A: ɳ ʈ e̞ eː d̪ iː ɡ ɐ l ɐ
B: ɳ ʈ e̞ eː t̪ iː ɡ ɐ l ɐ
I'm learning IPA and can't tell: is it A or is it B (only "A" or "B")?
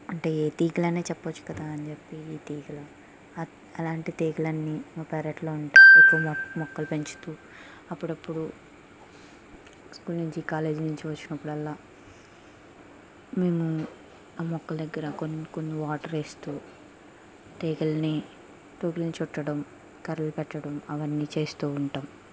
B